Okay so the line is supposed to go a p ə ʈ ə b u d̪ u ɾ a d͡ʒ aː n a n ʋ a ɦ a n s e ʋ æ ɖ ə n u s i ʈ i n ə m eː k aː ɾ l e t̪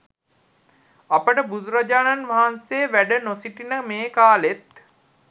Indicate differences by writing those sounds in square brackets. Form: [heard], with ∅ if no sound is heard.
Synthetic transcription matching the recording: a p ə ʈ ə b u d̪ u ɾ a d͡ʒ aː n a n ʋ a ɦ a n s e ʋ æ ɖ ə n [o] s i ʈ i n ə m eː k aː [∅] l e t̪